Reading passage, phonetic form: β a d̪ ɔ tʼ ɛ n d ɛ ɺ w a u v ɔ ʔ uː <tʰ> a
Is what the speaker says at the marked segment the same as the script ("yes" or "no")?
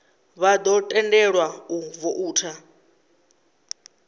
yes